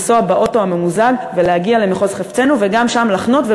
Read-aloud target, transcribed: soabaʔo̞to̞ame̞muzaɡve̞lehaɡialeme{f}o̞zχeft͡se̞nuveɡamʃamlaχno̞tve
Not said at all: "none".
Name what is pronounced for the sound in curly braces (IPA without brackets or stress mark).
χ